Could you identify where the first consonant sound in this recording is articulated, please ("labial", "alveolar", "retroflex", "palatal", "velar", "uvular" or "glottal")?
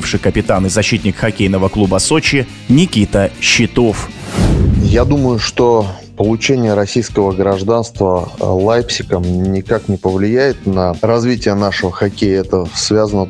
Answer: labial